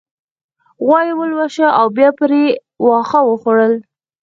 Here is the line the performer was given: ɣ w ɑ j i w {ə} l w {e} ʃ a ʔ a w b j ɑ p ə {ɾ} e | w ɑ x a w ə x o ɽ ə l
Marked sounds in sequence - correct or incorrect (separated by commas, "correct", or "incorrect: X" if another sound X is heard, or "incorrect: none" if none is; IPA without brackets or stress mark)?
correct, incorrect: a, correct